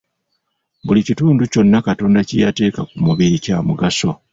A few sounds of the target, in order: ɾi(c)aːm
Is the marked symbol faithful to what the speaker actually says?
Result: yes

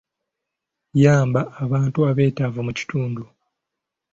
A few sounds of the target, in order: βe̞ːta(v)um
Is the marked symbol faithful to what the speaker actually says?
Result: yes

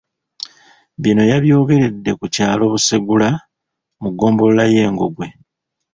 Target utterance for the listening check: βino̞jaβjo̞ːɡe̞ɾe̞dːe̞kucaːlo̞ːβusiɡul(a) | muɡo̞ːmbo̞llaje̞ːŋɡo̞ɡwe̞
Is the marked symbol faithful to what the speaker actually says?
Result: yes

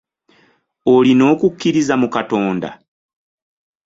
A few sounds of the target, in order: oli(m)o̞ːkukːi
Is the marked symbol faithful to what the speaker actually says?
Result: no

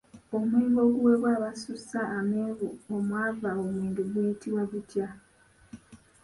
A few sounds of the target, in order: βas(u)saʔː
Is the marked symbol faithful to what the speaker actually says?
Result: yes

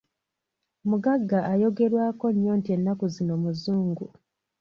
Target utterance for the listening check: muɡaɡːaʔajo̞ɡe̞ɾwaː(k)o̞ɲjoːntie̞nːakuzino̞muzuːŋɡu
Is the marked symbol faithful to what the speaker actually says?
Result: yes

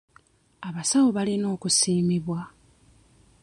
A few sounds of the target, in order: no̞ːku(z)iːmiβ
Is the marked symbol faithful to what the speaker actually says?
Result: no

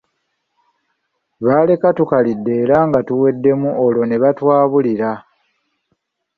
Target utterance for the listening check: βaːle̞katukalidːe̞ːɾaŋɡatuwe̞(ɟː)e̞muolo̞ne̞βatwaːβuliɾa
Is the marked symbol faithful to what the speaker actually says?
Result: no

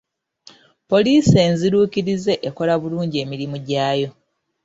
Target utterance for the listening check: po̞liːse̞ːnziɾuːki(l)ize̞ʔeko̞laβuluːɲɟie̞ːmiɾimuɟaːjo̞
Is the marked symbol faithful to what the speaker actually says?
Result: no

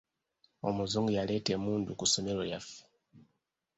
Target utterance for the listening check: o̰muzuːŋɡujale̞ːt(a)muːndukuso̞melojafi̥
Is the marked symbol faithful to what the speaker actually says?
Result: no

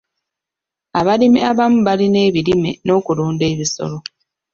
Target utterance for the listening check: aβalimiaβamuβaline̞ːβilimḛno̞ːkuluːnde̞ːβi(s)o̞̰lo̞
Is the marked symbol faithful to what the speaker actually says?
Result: yes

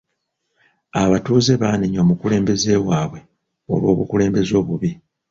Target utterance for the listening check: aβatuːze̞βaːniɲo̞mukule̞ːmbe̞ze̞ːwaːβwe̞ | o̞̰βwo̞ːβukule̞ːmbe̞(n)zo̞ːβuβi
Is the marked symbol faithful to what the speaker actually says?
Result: no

